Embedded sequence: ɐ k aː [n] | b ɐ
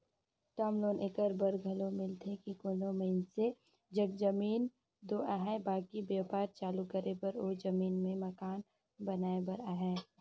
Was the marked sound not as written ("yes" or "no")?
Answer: no